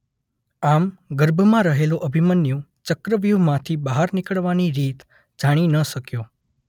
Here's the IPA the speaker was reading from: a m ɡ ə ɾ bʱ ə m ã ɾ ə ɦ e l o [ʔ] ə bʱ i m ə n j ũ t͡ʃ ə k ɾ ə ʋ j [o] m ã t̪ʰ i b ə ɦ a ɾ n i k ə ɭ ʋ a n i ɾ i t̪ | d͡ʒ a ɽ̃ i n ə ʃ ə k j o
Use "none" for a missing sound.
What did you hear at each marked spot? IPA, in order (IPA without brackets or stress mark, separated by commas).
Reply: ʔ, u